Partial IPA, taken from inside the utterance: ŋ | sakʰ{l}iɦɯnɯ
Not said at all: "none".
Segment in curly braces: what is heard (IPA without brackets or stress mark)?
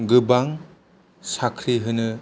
ɾ